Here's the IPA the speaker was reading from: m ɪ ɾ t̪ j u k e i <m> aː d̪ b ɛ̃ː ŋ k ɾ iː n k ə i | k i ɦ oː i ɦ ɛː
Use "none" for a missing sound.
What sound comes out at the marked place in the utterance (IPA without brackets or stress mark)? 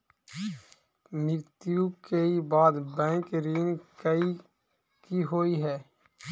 b